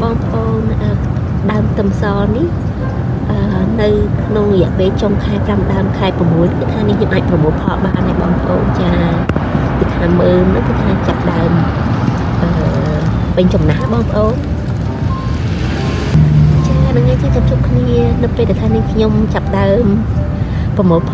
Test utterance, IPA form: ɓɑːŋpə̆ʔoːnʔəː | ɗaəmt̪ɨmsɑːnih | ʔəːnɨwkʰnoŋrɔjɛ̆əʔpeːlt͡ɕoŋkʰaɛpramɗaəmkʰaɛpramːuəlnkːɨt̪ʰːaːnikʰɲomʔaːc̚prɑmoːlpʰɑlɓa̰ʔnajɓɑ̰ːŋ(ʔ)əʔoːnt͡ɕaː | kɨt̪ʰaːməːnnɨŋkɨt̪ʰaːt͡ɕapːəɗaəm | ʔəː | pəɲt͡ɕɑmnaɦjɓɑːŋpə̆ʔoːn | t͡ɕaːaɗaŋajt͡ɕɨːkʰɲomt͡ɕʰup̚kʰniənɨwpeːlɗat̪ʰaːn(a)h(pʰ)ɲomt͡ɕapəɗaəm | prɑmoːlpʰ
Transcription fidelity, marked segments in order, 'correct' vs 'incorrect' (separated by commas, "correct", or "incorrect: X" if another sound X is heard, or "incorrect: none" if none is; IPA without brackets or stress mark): incorrect: p, incorrect: i, incorrect: kʰ